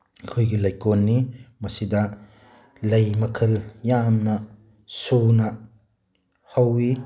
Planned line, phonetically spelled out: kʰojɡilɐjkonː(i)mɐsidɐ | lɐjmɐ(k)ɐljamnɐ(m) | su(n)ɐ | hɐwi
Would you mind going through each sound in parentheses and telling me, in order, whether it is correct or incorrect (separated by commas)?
correct, incorrect, incorrect, correct